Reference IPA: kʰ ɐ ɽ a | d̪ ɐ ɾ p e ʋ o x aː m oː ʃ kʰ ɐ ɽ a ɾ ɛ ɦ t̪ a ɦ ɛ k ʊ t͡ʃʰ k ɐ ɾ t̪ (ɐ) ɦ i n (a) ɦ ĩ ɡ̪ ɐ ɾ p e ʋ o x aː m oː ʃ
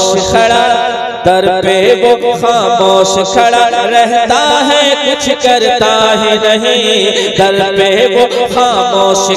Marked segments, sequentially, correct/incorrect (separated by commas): incorrect, incorrect